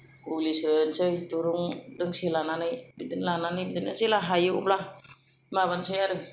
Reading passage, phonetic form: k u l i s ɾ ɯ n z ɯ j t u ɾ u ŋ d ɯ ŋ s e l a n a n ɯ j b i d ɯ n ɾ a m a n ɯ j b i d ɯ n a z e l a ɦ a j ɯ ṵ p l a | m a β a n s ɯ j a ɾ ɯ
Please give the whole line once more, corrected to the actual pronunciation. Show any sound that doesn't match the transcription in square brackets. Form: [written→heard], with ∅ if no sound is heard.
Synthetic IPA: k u l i s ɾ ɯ n [z→s] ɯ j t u ɾ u ŋ d ɯ ŋ s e l a n a n ɯ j b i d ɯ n [ɾ→l] a [m→n] a n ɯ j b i d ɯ n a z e l a ɦ a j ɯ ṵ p l a | m a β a n s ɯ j a ɾ ɯ